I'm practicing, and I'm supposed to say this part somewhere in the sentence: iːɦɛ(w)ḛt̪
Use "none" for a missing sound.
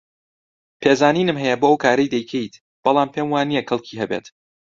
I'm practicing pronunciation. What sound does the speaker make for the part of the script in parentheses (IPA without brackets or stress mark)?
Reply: b